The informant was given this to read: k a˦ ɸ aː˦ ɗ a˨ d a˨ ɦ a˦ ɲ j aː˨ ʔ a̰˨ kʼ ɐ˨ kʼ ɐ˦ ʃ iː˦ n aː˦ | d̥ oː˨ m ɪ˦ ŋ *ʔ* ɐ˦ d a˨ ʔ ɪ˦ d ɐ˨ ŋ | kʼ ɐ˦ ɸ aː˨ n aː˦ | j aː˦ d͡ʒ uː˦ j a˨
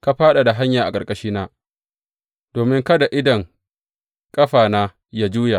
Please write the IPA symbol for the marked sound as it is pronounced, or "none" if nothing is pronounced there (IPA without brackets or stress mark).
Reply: k